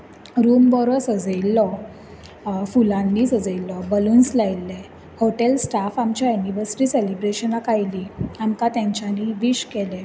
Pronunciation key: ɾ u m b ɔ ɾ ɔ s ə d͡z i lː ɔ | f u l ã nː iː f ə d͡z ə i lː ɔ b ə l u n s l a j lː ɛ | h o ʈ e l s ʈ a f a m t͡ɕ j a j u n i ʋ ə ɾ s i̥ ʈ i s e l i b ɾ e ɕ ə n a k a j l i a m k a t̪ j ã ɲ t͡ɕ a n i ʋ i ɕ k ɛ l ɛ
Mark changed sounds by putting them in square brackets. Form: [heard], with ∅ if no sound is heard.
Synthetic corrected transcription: ɾ u m b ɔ ɾ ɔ s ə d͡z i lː ɔ | f u l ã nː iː [s] ə d͡z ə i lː ɔ b ə l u n s l a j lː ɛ | h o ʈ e l s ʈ a f a m t͡ɕ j a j u n i ʋ ə ɾ s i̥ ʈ i s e l i b ɾ e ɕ ə n a k a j l i a m k a t̪ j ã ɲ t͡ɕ a n i ʋ i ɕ k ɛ l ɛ